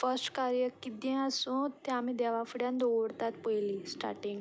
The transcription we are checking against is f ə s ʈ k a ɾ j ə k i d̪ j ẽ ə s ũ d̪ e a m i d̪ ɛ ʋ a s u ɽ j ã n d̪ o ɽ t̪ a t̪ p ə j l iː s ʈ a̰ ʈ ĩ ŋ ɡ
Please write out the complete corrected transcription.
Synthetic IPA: f ə s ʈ k a ɾ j ə k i d̪ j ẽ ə s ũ t̪ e a m i d̪ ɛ ʋ a f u ɽ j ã n d̪ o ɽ t̪ a t̪ p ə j l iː s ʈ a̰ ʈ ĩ ŋ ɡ